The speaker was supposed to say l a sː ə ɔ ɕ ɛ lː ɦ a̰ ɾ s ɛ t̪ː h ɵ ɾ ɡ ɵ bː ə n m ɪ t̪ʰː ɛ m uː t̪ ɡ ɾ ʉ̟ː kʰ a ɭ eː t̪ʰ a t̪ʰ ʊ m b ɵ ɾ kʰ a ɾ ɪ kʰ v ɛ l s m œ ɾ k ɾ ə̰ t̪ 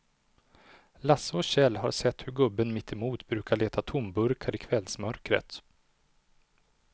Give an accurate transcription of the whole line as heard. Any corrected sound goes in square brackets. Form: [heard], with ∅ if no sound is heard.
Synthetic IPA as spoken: l a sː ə ɔ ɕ ɛ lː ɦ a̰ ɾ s ɛ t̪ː h ɵ ɾ ɡ ɵ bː ə n m ɪ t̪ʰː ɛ m uː t̪ [b] ɾ ʉ̟ː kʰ a ɭ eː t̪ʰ a t̪ʰ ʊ m b ɵ ɾ kʰ a ɾ ɪ kʰ v ɛ l s m œ ɾ k ɾ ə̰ t̪